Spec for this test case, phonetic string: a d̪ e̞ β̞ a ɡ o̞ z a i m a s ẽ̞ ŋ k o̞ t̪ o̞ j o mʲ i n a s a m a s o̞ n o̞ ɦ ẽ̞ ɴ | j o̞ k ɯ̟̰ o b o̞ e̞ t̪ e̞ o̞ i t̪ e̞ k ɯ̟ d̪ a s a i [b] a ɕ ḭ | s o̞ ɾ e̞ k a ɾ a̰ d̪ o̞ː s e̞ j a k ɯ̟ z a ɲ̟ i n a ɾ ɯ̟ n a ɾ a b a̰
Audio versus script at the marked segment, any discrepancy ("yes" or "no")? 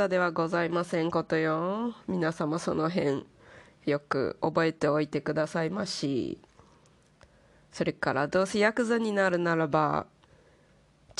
yes